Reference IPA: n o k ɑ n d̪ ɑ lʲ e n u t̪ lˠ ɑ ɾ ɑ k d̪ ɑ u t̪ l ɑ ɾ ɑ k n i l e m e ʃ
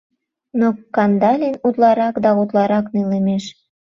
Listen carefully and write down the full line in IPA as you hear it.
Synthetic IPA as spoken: n o k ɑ n d̪ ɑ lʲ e n u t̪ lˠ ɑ ɾ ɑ k d̪ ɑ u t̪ l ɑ ɾ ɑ k n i l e m e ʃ